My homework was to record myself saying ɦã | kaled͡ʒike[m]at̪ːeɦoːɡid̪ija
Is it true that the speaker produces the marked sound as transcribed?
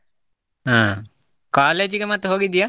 yes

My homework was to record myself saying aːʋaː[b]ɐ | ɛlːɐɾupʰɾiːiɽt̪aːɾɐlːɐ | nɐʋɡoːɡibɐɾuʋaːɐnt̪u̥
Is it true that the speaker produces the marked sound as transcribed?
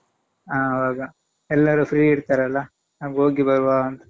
no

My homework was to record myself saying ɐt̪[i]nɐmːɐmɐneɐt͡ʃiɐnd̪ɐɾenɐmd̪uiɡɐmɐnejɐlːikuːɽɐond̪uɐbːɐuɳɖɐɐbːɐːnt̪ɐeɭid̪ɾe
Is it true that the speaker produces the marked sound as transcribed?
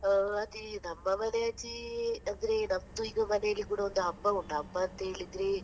yes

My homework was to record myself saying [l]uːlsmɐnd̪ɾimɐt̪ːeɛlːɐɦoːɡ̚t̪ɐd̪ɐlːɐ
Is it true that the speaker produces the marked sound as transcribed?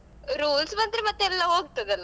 no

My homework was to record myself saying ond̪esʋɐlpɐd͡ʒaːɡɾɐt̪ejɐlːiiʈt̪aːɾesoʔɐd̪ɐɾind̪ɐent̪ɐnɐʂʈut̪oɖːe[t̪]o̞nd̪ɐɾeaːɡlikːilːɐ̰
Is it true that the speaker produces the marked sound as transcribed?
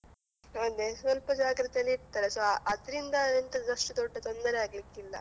yes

